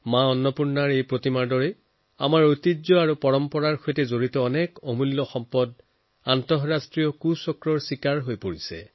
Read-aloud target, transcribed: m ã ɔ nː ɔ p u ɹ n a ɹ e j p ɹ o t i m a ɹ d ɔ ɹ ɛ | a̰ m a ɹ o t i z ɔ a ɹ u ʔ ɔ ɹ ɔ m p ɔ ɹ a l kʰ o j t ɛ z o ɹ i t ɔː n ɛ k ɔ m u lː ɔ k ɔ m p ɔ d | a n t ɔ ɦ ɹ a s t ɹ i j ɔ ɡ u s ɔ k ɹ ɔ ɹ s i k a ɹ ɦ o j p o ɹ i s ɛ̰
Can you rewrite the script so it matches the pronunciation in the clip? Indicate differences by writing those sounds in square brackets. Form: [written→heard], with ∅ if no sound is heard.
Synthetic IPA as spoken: m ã ɔ nː ɔ p u ɹ n a ɹ e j p ɹ o t i m a ɹ d ɔ ɹ ɛ | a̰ m a ɹ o t i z ɔ a ɹ u [ʔ→p] ɔ ɹ ɔ m p ɔ ɹ a [l→ɹ] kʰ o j t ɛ z o ɹ i t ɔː n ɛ k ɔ m u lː ɔ [k→x] ɔ m p ɔ d | a n t ɔ ɦ ɹ a s t ɹ i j ɔ [ɡ→k] u s ɔ k ɹ ɔ ɹ s i k a ɹ ɦ o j p o ɹ i s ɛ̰